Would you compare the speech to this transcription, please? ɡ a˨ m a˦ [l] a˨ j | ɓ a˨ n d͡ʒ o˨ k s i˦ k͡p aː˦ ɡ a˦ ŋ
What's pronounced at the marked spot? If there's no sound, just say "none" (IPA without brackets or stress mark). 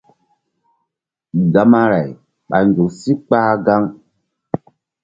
ɾ